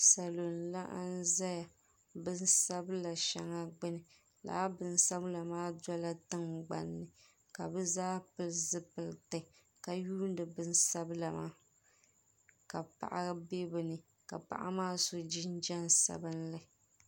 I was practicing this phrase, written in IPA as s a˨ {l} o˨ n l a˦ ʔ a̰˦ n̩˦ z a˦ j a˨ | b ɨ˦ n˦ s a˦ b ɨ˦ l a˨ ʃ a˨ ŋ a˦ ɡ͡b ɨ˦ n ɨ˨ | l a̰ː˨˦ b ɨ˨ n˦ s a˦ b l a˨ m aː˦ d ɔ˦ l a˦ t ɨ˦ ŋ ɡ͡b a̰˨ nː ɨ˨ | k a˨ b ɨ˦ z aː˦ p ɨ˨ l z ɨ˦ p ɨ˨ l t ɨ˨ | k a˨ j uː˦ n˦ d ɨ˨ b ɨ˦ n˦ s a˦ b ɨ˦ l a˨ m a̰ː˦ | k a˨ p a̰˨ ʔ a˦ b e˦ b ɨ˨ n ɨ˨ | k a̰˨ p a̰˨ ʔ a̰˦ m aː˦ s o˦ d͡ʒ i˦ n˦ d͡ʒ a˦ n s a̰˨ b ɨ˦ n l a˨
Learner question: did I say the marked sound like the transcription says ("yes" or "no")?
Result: yes